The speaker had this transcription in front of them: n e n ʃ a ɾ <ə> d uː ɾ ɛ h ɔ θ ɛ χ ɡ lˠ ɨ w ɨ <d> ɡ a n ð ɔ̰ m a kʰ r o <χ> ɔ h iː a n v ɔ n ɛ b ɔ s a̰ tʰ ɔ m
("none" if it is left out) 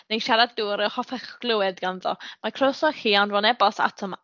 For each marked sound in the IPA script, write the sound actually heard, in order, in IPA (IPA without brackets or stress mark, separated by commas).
a, d, s